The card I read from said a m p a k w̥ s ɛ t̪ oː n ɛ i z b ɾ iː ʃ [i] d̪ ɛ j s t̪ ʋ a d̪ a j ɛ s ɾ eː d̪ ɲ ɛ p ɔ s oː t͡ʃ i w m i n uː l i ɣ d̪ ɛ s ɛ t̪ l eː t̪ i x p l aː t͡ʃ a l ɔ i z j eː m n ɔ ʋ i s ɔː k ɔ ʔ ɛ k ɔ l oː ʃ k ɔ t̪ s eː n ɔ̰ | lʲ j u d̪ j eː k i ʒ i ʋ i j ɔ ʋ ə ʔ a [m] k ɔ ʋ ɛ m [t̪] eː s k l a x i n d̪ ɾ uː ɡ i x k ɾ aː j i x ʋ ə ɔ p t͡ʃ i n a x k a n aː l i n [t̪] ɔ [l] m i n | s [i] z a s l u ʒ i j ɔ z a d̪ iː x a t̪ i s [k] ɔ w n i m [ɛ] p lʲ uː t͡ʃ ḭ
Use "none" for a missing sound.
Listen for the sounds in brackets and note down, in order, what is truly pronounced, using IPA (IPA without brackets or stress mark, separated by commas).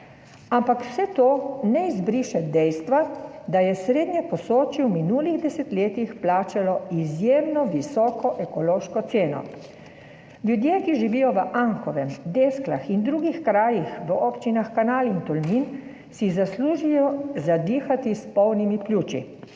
ɛ, ŋ, d̪, t̪, l, i, p, i